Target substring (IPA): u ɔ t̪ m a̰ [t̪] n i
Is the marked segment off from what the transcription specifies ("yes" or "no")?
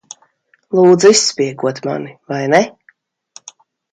yes